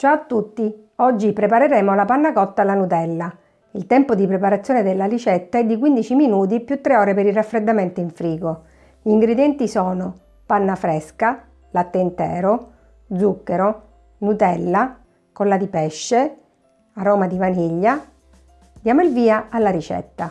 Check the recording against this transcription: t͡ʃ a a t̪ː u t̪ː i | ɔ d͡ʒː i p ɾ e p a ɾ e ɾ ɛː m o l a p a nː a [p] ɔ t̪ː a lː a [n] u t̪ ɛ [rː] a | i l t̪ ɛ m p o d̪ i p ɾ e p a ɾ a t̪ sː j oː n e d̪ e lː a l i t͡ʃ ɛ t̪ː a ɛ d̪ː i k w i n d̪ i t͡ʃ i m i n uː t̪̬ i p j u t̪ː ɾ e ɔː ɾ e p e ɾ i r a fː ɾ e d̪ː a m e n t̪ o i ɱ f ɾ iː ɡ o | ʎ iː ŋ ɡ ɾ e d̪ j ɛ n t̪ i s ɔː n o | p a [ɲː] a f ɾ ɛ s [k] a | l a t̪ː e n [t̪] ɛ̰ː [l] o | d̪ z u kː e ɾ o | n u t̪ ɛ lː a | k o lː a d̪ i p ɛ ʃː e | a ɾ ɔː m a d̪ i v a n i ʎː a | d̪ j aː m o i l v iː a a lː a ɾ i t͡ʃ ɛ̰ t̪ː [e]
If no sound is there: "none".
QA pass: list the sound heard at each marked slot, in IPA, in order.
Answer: k, n, lː, nː, k, t̪, ɾ, a

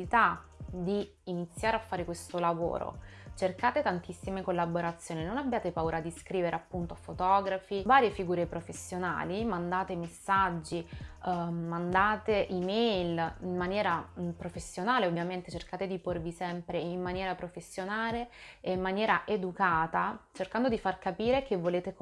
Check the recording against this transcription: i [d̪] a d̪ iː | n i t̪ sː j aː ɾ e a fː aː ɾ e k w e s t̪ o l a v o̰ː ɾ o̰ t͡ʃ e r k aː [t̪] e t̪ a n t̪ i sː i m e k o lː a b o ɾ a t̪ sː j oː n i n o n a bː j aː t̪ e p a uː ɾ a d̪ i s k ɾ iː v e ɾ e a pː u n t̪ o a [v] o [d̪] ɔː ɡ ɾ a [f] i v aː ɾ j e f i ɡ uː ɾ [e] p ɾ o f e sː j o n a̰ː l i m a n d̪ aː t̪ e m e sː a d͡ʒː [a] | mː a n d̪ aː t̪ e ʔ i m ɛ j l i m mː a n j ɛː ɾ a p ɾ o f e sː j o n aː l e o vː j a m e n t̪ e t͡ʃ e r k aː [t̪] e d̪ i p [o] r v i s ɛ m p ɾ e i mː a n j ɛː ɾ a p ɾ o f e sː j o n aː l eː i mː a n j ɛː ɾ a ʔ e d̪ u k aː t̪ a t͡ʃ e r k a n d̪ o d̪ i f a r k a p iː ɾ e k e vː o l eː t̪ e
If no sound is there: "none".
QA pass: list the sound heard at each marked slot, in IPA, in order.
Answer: t̪, t̪, f, t̪, f, e, i, t̪, o

